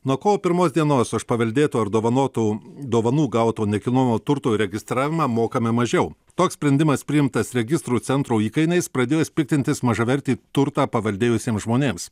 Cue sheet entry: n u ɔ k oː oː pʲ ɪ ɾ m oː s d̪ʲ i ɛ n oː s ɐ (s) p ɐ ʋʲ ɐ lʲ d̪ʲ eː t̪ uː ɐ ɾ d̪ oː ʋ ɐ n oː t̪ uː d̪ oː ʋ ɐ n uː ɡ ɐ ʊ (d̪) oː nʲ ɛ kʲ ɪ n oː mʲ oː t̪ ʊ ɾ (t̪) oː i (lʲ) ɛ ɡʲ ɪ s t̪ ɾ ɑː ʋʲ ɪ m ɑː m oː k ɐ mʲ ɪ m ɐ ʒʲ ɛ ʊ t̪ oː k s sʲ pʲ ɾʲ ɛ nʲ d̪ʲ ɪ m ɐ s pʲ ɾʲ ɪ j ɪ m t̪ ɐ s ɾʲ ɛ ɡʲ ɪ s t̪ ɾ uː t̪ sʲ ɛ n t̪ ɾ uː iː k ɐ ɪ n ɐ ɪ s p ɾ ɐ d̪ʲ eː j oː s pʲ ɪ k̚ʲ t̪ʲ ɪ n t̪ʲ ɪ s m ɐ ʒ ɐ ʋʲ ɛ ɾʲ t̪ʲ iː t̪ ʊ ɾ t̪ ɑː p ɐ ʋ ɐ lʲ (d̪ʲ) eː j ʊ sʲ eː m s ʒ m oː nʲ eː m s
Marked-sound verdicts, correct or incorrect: incorrect: ʃ, incorrect: t̪, correct, incorrect: ɾʲ, correct

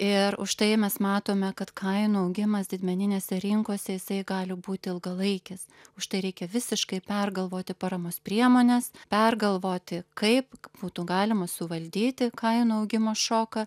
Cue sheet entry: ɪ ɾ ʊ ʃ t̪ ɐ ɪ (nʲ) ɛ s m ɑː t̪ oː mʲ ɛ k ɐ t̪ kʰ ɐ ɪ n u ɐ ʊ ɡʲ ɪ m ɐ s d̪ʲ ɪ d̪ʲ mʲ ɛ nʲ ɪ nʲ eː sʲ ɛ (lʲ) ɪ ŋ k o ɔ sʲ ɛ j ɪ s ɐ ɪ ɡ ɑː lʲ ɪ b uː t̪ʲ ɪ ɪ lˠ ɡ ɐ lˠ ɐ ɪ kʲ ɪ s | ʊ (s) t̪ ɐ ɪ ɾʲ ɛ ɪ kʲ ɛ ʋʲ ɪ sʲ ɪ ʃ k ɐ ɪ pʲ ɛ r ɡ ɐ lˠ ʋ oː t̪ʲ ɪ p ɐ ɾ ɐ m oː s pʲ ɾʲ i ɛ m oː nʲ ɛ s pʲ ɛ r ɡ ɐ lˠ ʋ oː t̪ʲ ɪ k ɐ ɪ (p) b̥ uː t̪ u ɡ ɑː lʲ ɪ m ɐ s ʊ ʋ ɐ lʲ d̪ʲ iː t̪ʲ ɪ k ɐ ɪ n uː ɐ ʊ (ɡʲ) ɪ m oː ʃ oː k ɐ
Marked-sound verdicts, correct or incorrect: incorrect: mʲ, incorrect: ɾʲ, incorrect: ʃ, correct, correct

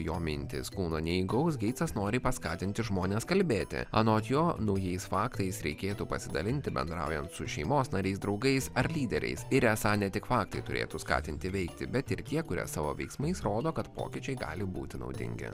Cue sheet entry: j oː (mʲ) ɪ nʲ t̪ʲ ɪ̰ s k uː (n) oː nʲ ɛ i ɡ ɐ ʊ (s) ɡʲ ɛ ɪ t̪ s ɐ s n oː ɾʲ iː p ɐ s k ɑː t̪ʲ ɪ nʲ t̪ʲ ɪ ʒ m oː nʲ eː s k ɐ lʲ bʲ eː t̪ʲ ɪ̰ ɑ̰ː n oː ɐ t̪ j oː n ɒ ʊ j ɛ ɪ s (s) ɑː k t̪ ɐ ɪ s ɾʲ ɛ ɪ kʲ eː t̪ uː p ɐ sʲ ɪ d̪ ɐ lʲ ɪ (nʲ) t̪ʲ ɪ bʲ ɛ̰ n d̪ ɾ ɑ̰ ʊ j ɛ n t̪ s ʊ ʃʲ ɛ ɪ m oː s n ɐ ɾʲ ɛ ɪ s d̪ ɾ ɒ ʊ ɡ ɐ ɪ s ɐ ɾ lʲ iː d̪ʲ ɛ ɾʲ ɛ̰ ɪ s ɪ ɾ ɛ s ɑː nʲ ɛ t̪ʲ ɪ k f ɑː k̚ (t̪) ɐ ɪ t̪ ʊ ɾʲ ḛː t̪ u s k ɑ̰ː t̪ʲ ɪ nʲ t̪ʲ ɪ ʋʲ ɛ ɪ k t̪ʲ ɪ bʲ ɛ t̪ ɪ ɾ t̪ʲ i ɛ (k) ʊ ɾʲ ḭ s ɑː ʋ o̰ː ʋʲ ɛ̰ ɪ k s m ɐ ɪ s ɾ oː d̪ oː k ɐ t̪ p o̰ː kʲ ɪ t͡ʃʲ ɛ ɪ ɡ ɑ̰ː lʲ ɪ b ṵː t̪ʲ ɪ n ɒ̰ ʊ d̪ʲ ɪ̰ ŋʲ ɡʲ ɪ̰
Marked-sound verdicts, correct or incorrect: correct, correct, correct, incorrect: f, correct, correct, correct

